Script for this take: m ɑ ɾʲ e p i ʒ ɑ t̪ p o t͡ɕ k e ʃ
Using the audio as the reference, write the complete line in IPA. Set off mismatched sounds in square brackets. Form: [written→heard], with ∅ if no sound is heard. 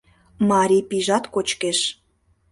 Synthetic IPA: m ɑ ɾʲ [e→i] p i ʒ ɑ t̪ [p→k] o t͡ɕ k e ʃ